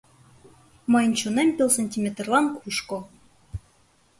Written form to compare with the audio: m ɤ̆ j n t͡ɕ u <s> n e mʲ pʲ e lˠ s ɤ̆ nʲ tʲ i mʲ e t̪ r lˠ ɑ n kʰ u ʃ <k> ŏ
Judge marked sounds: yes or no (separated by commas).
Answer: no, yes